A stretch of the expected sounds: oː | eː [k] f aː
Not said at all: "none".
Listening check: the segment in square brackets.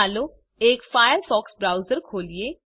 k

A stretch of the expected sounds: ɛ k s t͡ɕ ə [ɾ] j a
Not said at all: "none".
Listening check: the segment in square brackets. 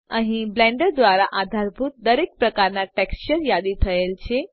ɾ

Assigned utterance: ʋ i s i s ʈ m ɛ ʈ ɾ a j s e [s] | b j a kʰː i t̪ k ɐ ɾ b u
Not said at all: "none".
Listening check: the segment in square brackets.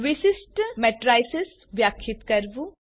s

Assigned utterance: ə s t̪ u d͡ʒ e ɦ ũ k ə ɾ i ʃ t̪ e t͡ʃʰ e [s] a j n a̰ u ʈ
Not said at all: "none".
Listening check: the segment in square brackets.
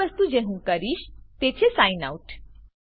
s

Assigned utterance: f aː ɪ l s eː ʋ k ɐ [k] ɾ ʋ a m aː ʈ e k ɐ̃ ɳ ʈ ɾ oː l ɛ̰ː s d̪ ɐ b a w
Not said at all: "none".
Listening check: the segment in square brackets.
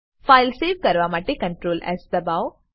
none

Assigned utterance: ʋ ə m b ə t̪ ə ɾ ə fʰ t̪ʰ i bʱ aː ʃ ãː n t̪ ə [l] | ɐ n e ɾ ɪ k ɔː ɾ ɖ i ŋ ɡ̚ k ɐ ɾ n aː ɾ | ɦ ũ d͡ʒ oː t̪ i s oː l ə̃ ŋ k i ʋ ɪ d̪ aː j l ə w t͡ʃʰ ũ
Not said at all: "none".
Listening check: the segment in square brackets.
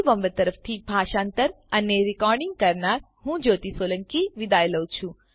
ɾ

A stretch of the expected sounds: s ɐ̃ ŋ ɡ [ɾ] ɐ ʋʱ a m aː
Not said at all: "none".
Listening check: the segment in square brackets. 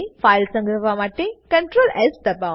ɾ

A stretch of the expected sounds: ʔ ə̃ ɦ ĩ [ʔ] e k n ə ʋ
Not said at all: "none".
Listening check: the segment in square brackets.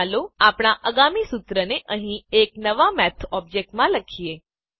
none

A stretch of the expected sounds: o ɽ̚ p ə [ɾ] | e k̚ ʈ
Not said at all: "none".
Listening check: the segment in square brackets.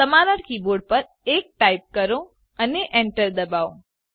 ɾ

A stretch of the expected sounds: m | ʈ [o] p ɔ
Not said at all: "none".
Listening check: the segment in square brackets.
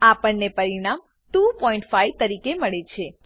u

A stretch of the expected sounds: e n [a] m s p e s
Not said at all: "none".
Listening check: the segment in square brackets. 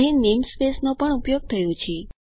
e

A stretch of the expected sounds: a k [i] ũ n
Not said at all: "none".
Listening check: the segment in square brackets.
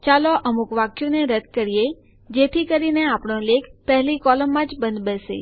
j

